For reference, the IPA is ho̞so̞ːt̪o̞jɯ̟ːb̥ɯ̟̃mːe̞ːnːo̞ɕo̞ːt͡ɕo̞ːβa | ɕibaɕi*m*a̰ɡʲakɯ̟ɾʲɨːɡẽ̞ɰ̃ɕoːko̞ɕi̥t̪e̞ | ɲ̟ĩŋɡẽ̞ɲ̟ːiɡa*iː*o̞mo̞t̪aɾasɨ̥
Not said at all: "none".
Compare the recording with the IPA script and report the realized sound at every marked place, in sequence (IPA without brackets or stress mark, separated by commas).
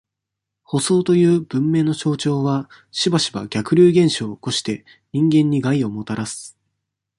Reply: b, i